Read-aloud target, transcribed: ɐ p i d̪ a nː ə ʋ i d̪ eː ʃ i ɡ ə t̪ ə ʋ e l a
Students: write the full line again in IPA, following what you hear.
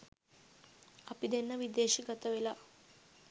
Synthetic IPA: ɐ p i d̪ e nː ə ʋ i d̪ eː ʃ i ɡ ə t̪ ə ʋ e l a